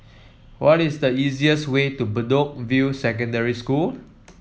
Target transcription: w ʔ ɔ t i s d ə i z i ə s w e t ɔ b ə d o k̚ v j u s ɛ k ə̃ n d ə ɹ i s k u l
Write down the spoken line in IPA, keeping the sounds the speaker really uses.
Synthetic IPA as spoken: w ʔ ɔ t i s d ə i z i ə s w e t u b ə d o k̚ v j u s ɛ k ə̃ n d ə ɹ i s k u l